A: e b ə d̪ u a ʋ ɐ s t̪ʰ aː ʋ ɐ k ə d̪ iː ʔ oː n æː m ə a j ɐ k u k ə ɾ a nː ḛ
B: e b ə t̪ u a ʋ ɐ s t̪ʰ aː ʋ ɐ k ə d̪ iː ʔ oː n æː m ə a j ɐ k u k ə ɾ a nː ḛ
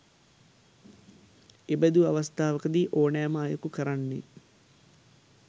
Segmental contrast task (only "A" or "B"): A